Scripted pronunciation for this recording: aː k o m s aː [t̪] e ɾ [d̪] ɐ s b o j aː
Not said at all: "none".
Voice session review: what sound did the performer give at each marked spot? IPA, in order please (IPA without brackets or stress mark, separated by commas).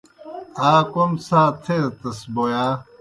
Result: t̪ʰ, t̪